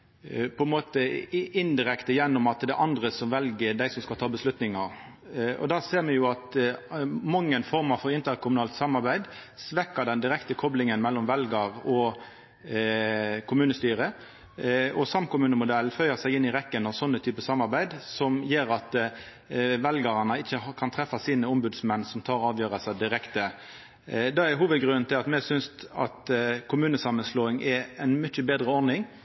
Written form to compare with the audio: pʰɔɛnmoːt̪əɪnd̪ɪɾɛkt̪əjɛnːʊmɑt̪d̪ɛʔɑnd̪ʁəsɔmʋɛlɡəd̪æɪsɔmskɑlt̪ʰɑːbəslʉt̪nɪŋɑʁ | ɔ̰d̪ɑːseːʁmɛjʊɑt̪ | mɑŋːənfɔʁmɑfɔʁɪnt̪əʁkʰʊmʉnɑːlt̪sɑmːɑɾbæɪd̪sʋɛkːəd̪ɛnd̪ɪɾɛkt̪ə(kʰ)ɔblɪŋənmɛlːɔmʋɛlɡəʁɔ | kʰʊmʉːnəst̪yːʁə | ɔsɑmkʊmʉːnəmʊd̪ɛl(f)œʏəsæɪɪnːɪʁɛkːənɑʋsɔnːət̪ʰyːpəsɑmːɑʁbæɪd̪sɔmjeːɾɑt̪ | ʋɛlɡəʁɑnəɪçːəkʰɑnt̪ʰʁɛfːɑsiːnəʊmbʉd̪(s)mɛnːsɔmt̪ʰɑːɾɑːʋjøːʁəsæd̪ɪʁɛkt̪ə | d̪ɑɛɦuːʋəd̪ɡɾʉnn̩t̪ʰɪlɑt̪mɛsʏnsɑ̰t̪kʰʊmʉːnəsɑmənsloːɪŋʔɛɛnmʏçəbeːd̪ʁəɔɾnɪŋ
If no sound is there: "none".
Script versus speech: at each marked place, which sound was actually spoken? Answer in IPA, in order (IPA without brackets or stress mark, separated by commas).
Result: kʰ, f, s